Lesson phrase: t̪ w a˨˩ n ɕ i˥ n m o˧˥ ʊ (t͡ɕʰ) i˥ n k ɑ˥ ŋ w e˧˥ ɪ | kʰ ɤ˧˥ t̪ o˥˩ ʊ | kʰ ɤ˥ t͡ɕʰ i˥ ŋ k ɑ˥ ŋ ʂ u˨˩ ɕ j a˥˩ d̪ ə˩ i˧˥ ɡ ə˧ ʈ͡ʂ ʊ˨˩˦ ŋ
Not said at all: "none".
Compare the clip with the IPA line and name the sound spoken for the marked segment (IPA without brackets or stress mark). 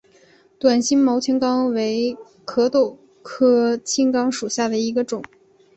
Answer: t͡ɕʰ